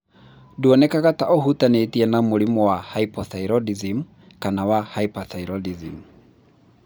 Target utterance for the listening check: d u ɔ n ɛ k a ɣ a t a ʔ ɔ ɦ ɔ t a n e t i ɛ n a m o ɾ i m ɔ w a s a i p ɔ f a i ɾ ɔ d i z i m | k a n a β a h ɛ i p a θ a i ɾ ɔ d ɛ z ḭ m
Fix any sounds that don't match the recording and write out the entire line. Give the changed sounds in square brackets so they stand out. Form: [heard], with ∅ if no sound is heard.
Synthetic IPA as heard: d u ɔ n ɛ k a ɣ a t a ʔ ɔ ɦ [u] t a n e t i ɛ n a m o ɾ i m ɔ w a [h] a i p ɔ [θ] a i ɾ ɔ d i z i m | k a n a [w] a h [a] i p a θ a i ɾ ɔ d [i] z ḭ m